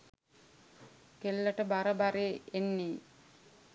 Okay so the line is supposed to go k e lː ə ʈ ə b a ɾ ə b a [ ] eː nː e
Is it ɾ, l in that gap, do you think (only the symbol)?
ɾ